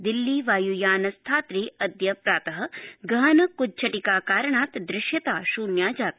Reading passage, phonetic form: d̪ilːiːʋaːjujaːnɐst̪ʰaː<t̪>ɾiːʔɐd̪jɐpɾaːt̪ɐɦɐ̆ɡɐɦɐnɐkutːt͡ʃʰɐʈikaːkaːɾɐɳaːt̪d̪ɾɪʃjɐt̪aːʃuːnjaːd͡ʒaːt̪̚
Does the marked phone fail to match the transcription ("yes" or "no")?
no